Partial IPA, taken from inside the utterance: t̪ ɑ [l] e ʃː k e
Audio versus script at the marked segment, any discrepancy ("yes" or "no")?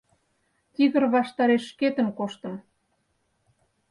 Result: yes